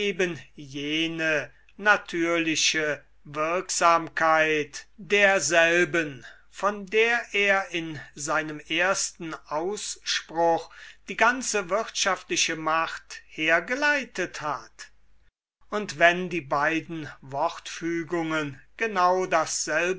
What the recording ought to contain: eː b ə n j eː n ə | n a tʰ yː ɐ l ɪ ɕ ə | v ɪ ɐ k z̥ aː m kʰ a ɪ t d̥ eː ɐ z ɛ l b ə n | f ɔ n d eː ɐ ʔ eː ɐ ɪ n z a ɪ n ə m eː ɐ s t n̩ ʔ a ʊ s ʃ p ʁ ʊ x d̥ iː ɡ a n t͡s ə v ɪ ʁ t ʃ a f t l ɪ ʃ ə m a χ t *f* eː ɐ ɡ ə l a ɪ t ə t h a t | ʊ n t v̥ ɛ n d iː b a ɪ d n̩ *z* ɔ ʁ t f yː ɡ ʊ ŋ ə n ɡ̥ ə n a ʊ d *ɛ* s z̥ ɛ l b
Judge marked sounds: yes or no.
no, no, no

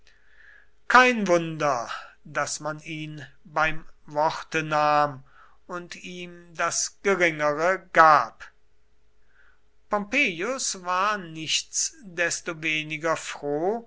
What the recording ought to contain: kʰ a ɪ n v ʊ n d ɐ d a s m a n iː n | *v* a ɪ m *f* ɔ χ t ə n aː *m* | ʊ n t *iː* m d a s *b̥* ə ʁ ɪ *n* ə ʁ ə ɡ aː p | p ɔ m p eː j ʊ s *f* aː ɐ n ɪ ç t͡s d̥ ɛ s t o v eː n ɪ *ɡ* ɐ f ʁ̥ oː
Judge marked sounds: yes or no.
no, no, yes, yes, no, no, no, yes

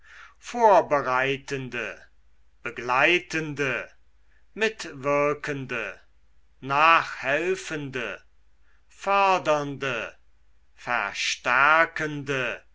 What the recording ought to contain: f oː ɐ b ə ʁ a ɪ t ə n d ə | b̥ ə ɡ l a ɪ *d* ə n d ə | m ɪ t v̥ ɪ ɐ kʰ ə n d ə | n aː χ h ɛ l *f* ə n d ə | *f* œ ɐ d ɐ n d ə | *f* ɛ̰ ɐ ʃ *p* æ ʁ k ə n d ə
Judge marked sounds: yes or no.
no, yes, yes, yes, no

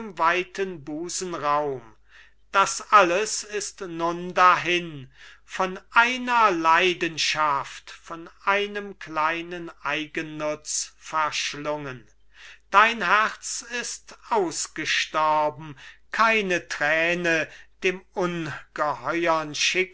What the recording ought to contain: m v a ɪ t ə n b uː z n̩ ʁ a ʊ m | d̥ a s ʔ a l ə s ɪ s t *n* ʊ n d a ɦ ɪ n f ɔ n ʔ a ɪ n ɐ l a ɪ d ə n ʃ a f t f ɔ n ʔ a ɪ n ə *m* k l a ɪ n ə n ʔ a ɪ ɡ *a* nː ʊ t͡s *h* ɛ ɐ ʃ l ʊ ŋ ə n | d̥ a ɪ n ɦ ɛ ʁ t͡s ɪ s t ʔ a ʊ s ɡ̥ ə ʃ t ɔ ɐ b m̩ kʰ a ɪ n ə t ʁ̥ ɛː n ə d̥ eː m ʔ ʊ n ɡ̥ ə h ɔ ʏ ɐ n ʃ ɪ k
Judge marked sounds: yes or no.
yes, yes, no, no

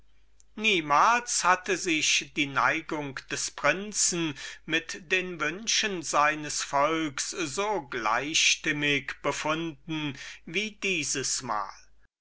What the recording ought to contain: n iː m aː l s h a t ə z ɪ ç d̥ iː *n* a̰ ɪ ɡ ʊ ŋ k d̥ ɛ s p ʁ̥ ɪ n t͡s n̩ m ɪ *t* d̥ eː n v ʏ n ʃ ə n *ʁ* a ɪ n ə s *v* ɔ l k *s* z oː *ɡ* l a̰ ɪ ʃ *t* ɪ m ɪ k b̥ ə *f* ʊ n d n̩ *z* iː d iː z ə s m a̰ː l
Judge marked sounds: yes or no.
yes, yes, no, no, yes, yes, yes, yes, no

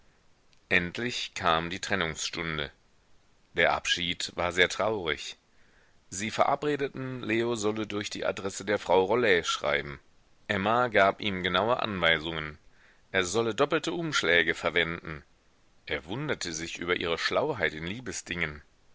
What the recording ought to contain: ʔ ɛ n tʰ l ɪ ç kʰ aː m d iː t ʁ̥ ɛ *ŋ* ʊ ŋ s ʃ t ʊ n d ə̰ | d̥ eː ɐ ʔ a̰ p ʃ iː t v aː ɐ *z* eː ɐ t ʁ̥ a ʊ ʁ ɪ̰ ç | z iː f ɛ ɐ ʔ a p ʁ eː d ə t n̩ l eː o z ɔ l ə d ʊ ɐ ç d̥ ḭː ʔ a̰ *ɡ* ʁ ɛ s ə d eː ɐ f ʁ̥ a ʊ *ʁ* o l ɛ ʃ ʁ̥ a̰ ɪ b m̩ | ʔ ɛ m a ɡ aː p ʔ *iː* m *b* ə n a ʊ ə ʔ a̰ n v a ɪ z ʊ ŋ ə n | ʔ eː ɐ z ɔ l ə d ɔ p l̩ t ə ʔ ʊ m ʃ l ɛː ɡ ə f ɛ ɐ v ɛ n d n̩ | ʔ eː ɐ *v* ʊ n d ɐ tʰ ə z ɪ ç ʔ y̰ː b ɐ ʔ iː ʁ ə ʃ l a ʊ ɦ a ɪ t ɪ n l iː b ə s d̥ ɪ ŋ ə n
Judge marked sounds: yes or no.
no, yes, no, yes, yes, no, yes

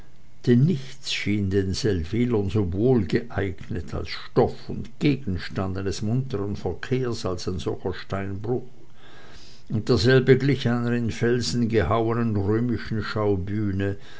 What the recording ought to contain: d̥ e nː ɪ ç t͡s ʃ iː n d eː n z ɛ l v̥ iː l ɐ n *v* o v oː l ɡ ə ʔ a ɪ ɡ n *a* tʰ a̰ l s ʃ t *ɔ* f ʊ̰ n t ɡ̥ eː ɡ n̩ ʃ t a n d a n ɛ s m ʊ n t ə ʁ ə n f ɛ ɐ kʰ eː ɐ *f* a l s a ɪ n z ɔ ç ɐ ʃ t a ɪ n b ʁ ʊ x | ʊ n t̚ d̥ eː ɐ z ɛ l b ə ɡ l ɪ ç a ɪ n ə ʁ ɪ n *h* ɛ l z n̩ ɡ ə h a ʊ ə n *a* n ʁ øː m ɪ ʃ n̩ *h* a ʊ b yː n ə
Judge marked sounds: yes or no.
no, no, yes, no, no, no, no

